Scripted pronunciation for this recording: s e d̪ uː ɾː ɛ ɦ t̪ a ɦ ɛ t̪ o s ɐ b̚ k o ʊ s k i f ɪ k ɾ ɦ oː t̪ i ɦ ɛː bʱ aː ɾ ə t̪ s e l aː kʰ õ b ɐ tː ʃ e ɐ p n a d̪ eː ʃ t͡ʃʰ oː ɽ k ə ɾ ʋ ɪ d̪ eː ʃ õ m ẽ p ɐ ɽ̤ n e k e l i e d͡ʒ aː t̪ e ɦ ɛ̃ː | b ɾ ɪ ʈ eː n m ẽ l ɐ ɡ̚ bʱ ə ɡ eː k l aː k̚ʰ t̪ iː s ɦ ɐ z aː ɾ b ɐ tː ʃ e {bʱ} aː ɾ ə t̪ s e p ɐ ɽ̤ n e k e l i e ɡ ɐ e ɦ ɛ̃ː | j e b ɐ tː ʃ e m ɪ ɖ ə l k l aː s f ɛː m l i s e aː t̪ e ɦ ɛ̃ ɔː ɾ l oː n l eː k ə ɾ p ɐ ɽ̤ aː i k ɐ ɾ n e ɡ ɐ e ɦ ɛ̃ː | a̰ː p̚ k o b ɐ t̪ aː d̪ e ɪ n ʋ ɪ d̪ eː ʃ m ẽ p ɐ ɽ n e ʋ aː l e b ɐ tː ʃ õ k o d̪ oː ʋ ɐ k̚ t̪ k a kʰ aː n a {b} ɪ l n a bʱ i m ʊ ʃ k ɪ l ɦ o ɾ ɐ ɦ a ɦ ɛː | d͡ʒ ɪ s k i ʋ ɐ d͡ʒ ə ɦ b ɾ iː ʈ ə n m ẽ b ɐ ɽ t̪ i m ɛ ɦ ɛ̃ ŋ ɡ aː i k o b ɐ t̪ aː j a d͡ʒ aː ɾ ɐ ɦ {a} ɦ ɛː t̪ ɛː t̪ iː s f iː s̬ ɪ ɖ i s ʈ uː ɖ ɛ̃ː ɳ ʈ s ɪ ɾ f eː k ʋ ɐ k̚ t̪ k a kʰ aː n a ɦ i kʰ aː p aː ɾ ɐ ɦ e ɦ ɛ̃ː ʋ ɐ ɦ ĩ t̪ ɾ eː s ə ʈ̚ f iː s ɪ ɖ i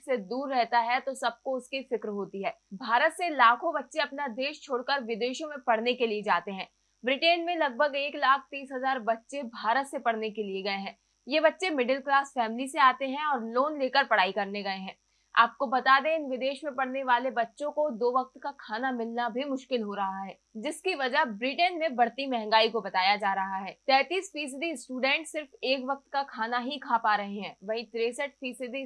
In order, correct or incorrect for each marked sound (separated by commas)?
correct, incorrect, correct